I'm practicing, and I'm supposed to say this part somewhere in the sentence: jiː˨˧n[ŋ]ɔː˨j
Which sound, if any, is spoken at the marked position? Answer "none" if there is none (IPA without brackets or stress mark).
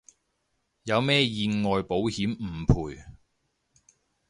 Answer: ŋ